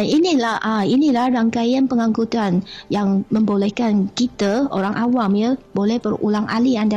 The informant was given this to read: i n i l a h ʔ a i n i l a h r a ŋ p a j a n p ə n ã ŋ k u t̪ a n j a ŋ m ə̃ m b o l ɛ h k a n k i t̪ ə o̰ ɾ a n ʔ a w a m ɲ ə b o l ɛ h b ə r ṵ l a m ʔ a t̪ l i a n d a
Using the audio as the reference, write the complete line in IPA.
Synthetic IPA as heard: i n i l a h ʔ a i n i l a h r a ŋ k a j a n p ə ŋ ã ŋ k u t̪ a n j a ŋ m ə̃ m b o l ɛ h k a n k i t̪ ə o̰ ɾ a ŋ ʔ a w a m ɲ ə b o l ɛ h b ə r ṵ l a ŋ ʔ a l i a n d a